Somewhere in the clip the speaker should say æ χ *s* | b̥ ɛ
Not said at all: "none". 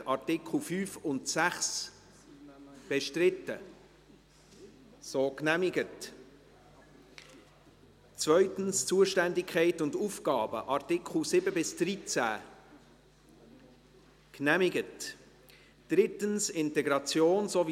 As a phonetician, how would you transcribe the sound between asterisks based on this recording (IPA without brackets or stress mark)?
s